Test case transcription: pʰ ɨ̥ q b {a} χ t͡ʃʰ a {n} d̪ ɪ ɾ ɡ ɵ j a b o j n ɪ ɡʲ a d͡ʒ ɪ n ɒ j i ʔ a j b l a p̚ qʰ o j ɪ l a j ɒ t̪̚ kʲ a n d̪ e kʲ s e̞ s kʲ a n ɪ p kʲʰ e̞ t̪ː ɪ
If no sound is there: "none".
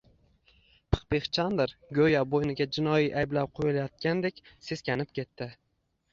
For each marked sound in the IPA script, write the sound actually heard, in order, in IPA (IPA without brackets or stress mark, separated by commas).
e, n